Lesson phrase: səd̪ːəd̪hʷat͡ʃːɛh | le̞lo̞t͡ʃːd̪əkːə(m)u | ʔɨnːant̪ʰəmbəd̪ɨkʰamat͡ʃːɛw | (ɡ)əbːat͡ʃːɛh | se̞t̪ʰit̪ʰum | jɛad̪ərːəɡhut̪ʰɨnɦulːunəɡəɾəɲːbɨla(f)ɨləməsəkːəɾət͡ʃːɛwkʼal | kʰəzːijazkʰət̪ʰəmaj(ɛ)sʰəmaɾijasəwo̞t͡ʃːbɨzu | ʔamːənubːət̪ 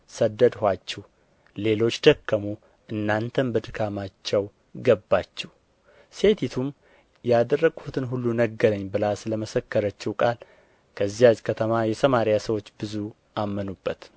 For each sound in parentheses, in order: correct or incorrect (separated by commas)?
correct, correct, incorrect, correct